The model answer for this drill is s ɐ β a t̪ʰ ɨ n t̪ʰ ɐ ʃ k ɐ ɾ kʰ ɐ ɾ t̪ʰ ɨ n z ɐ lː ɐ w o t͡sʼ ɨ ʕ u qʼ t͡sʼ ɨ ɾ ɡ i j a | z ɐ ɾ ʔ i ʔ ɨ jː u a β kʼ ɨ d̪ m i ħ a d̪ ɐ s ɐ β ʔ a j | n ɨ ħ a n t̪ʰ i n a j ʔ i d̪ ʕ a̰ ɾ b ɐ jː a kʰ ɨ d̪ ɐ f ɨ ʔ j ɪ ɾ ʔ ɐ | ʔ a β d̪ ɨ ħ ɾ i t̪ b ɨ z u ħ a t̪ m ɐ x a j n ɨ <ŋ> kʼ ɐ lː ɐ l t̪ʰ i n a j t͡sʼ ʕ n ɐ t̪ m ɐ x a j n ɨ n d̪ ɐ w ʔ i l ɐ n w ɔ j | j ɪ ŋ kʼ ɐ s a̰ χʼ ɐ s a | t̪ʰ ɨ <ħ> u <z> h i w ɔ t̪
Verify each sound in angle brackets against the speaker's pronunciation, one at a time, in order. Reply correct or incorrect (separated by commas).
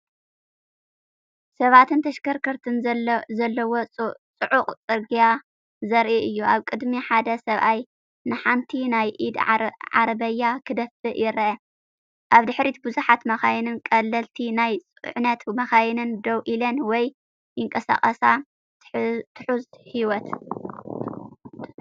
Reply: incorrect, correct, correct